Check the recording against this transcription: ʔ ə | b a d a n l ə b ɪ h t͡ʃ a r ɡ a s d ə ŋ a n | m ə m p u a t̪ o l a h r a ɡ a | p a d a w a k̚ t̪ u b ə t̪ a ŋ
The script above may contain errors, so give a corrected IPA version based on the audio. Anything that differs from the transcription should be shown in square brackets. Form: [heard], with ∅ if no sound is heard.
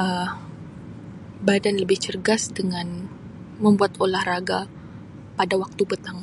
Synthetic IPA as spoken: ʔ ə | b a d a n l ə b ɪ h t͡ʃ [ə] r ɡ a s d ə ŋ a n | m ə m [b] u a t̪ o l a h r a ɡ a | p a d a w a k̚ t̪ u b ə t̪ a ŋ